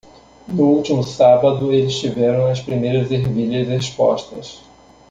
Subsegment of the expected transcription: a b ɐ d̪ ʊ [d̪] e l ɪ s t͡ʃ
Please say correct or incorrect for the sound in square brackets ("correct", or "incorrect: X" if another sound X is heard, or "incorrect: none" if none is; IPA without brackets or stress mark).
incorrect: none